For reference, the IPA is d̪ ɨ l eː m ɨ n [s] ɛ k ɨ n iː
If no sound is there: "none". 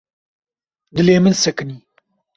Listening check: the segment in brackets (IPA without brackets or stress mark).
s